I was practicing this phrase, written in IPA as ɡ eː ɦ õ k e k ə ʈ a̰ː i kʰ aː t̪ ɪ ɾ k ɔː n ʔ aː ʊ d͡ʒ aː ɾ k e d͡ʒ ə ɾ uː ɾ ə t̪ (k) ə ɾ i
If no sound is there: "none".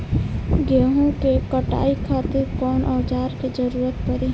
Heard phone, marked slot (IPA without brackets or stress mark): p